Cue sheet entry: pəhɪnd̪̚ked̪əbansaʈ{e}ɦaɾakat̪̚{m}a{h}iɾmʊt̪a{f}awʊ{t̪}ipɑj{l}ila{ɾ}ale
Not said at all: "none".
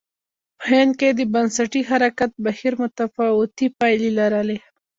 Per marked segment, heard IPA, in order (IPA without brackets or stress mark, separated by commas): i, b, h, f, t̪, l, ɾ